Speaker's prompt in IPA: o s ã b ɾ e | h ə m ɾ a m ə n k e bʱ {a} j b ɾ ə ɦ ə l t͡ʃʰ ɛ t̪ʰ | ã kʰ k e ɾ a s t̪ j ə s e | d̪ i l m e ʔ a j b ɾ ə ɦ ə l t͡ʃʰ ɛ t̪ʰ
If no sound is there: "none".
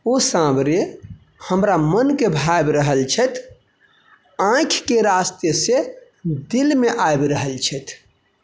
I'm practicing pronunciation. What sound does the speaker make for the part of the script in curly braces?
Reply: a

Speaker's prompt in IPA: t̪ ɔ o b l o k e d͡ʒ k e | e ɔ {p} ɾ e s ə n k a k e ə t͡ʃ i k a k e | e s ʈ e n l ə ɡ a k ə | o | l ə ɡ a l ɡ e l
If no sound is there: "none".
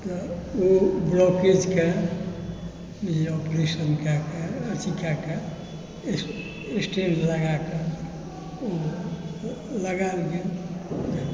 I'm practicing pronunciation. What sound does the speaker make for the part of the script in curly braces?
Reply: p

